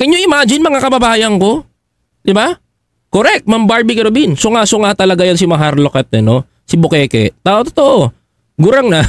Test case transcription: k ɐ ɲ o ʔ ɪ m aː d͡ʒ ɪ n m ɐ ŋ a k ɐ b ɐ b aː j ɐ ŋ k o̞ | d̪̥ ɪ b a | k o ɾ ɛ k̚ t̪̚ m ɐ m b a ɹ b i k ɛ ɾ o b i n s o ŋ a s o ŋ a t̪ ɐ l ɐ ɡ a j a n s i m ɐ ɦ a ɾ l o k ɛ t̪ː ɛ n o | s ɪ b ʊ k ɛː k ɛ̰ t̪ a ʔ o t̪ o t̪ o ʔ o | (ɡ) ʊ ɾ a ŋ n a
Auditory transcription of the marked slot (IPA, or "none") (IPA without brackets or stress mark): ɡ